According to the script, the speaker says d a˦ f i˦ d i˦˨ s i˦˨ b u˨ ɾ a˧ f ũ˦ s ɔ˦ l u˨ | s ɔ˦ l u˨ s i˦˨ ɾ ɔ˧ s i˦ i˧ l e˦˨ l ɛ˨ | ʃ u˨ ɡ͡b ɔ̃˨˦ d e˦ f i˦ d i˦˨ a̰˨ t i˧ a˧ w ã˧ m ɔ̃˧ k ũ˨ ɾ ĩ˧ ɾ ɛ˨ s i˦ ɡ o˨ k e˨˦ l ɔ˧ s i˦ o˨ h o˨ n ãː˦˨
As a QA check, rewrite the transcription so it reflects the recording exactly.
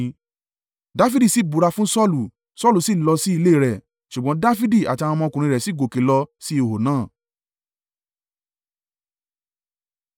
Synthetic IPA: d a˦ f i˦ d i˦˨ s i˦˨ b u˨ ɾ a˧ f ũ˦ s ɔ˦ l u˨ | s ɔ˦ l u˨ s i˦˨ l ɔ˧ s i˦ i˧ l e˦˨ ɾ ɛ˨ | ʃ u˨ ɡ͡b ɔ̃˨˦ d a˦ f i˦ d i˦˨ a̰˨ t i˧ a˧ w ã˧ m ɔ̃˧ k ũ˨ ɾ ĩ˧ ɾ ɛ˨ s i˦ ɡ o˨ k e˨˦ l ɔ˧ s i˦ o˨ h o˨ n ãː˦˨

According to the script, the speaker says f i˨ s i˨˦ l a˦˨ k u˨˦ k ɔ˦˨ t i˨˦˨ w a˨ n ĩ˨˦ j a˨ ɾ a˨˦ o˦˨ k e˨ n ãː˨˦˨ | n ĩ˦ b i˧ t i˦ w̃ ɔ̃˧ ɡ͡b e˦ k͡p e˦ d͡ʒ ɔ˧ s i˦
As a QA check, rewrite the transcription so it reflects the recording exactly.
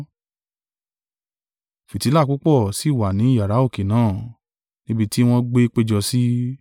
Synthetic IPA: f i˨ t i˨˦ l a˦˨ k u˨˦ k͡p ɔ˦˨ s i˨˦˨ w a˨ n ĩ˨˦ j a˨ ɾ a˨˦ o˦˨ k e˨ n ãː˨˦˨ | n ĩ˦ b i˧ t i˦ w̃ ɔ̃˧ ɡ͡b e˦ k͡p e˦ d͡ʒ ɔ˧ s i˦

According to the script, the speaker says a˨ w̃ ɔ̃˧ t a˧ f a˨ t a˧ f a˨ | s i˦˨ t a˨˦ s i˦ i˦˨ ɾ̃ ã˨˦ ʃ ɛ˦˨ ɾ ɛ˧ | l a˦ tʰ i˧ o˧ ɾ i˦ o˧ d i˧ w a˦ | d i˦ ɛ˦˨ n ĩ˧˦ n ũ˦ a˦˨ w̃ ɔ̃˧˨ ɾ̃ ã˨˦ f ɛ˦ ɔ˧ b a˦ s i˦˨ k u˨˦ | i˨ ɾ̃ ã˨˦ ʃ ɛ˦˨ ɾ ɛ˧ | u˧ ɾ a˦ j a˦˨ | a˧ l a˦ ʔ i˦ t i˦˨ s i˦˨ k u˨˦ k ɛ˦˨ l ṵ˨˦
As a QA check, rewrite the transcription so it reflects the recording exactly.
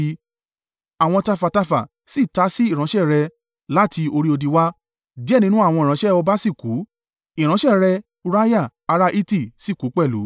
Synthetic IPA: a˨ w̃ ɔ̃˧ t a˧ f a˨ t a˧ f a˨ | s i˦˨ t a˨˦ s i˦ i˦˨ ɾ̃ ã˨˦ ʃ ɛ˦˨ ɾ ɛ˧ | l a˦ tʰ i˧ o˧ ɾ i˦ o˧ d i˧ w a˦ | d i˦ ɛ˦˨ n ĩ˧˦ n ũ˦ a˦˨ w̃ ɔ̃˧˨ ɾ̃ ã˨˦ ʃ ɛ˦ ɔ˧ b a˦ s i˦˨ k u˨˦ | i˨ ɾ̃ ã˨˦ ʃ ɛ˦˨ ɾ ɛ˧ | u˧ ɾ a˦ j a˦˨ | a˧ ɾ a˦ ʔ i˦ t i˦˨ s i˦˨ k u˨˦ k͡p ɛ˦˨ l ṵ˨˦

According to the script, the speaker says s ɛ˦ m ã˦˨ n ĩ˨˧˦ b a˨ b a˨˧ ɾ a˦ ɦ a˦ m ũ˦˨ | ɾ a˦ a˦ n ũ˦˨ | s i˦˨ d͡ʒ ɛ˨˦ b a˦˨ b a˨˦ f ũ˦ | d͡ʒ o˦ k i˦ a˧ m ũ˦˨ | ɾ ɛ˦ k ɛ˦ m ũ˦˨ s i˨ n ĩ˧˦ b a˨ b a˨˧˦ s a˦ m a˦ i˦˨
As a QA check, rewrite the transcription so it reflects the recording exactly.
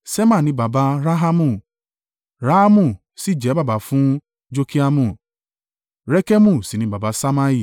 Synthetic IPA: s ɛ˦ m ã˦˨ n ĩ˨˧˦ b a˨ b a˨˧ ɾ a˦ ɦ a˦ m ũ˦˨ | ɾ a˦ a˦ m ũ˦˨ | s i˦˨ d͡ʒ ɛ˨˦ b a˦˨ b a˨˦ f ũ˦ | d͡ʒ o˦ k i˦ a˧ m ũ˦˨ | ɾ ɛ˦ k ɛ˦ m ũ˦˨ s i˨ n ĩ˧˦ b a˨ b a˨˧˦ s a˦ m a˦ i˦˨

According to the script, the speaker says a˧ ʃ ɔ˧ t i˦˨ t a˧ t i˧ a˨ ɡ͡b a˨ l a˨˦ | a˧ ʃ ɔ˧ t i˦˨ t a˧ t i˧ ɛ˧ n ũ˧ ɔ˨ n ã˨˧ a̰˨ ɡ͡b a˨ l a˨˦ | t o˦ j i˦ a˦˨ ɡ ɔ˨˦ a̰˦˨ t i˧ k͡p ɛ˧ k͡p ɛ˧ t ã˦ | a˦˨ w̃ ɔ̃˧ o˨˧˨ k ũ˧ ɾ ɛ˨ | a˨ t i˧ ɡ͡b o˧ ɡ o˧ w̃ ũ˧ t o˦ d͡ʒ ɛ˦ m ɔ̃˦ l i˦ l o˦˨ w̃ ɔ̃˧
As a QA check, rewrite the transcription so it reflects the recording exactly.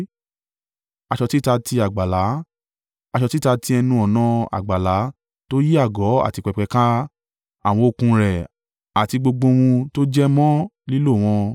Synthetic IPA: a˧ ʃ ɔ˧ t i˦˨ t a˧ t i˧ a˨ ɡ͡b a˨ l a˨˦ | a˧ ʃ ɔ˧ t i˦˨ t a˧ t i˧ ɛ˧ n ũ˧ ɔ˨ n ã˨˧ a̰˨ ɡ͡b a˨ l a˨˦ | t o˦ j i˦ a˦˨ ɡ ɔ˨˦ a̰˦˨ t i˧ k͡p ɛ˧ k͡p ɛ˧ k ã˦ | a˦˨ w̃ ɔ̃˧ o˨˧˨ k ũ˧ ɾ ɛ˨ | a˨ t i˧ ɡ͡b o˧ ɡ͡b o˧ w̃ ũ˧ t o˦ d͡ʒ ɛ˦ m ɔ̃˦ l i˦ l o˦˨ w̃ ɔ̃˧

